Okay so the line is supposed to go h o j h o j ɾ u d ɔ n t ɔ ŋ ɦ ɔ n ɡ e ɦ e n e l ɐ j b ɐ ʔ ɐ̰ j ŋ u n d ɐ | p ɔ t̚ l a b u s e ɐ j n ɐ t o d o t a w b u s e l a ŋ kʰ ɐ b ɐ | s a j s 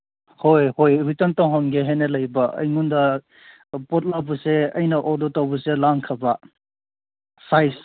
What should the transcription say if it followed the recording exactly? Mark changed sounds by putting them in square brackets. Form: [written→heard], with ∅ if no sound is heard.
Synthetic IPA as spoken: h o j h o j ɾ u [d→t] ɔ n t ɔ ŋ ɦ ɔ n ɡ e ɦ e n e l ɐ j b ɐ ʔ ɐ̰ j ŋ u n d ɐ | p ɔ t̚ l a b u s e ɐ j n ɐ [t→ʔ] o d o t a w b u s e l a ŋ kʰ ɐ b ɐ | s a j s